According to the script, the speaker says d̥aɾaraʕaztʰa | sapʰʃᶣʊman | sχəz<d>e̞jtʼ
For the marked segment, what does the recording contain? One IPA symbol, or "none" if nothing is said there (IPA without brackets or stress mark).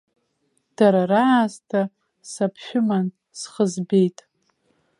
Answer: b